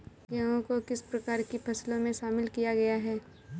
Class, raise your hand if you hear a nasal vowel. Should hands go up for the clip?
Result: yes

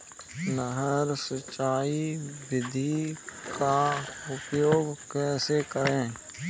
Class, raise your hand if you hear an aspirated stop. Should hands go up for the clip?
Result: no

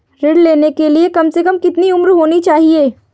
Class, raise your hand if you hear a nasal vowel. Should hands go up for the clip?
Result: no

